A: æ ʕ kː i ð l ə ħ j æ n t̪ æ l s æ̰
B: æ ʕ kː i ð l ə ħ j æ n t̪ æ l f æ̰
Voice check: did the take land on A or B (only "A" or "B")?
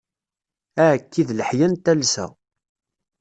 A